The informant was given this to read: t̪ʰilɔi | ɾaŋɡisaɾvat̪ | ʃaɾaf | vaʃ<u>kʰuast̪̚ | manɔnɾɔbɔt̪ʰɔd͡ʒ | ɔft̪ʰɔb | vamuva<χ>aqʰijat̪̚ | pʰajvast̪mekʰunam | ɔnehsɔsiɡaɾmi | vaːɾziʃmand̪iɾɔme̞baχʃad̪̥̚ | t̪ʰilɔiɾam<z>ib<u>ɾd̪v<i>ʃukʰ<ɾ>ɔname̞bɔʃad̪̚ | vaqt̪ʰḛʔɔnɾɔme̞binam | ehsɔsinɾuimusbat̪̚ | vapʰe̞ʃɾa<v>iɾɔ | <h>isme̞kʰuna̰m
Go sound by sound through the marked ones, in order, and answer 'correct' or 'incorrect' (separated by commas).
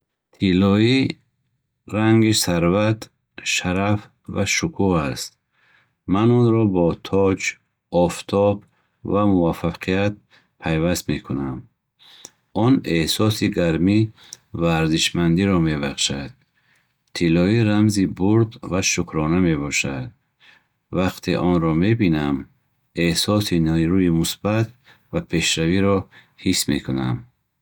correct, incorrect, correct, correct, incorrect, correct, correct, correct